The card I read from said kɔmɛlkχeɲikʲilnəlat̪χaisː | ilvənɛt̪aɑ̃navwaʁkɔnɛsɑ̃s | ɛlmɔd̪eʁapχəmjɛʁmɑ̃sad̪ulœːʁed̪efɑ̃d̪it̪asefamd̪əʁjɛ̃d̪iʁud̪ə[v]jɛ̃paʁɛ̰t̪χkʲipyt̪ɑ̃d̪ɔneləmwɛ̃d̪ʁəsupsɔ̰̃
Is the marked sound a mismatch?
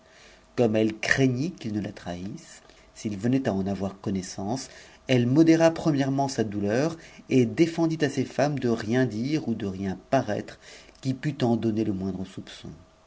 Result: yes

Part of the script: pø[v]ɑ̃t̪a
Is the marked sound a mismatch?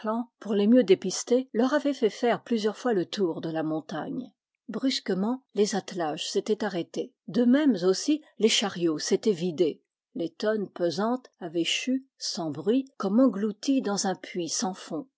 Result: yes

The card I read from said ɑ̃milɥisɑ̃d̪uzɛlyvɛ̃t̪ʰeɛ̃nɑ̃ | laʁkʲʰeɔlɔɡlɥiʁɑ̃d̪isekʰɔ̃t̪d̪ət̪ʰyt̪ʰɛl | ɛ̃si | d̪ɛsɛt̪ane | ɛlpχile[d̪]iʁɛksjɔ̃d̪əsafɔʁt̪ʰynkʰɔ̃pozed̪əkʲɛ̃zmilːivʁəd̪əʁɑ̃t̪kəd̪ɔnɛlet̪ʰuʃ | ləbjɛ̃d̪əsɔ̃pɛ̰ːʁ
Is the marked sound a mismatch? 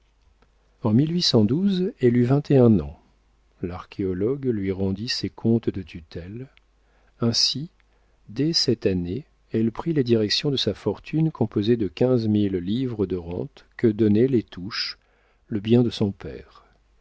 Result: no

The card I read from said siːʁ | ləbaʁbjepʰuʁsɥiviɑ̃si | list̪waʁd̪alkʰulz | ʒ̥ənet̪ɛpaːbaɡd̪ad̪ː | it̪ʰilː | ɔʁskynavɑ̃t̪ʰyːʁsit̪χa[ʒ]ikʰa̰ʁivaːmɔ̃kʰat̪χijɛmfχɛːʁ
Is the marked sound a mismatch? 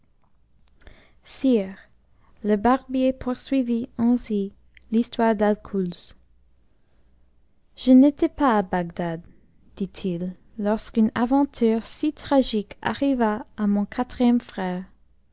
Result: no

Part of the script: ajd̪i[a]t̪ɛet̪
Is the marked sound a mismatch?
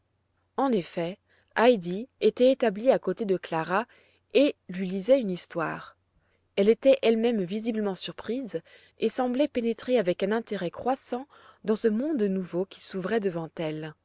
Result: yes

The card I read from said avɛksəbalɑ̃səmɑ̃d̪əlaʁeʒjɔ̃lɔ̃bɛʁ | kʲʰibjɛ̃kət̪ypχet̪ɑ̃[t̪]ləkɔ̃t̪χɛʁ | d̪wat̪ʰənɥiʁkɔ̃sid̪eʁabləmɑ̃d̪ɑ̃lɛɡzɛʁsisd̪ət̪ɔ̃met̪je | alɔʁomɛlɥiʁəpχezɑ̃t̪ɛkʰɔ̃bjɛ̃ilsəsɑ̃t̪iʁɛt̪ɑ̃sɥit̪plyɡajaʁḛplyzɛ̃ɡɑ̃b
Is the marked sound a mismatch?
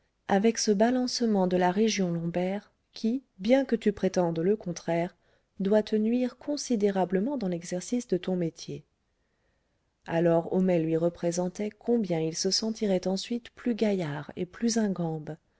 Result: yes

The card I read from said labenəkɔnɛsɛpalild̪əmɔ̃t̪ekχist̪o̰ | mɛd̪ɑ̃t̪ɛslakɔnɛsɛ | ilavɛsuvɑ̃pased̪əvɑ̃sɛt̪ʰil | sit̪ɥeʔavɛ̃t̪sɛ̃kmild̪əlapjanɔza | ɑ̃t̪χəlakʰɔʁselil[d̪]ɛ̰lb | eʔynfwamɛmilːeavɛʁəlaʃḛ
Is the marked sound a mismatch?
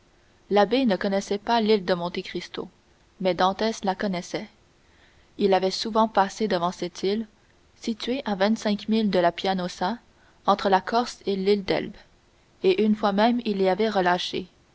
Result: no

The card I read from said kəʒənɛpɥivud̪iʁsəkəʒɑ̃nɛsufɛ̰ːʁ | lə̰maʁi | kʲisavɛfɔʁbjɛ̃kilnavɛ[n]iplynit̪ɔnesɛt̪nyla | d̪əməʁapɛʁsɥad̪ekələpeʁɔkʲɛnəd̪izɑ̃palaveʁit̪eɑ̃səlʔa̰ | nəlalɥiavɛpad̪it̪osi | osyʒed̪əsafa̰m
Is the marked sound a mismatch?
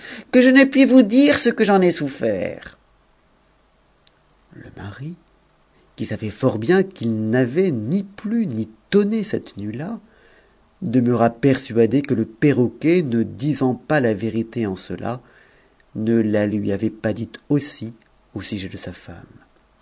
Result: no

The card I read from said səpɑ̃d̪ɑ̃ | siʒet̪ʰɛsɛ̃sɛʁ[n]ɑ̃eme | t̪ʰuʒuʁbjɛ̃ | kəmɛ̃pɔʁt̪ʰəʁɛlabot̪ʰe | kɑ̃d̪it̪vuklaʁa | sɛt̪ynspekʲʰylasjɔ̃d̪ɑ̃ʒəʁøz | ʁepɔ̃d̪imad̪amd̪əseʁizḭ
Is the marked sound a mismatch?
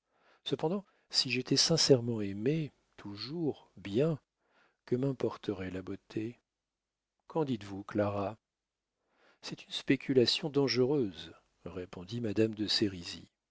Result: yes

